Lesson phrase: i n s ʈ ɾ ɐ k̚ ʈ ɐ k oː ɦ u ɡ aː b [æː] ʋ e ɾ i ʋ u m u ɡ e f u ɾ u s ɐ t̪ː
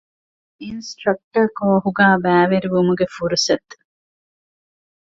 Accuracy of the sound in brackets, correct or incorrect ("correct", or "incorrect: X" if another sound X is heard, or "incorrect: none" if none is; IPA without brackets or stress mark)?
correct